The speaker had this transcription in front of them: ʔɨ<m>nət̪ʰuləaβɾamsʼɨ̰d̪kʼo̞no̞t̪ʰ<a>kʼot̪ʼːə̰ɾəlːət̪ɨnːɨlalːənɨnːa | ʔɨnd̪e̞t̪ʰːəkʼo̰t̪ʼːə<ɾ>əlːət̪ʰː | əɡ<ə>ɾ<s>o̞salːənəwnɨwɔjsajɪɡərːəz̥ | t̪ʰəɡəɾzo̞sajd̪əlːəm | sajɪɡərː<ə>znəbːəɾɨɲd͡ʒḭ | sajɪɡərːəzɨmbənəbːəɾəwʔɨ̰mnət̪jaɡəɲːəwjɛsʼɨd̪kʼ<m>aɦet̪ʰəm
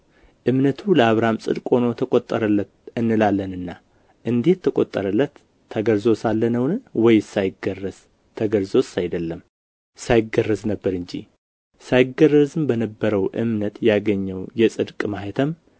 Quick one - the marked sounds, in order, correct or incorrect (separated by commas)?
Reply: correct, incorrect, correct, correct, incorrect, correct, correct